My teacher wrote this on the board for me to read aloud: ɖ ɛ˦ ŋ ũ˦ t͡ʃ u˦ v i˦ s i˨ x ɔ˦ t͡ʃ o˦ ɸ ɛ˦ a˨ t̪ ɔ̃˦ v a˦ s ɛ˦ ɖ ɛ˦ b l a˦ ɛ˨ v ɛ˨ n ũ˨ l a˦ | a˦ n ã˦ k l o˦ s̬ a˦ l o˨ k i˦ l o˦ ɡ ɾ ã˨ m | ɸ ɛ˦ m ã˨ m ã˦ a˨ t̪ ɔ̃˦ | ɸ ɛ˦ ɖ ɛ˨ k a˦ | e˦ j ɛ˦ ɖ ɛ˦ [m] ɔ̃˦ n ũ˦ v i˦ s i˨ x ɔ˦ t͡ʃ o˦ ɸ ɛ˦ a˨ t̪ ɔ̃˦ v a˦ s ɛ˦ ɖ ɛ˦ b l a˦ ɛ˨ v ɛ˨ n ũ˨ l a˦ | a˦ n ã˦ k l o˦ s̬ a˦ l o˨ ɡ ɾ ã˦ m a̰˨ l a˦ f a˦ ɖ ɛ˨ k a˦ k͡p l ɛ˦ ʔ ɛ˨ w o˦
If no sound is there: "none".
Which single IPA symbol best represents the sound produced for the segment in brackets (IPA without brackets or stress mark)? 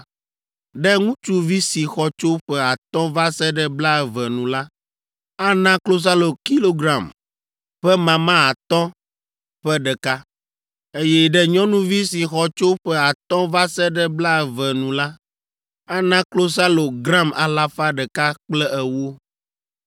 ɲ